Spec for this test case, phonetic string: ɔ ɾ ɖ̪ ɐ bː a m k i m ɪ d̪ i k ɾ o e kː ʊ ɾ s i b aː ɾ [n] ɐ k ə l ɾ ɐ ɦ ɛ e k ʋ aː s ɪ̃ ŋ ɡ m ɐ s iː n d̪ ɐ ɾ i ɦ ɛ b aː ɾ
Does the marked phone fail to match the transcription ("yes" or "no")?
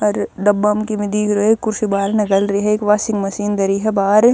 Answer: no